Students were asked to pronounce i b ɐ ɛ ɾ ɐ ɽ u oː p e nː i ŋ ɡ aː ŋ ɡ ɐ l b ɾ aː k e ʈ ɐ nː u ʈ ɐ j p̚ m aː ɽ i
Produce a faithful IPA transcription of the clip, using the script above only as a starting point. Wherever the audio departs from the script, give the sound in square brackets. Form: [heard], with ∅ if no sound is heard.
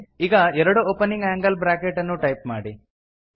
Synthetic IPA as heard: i [ɡ] ɐ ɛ ɾ ɐ ɽ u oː p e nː i ŋ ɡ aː ŋ ɡ ɐ l b ɾ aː k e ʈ ɐ nː u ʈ ɐ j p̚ m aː ɽ i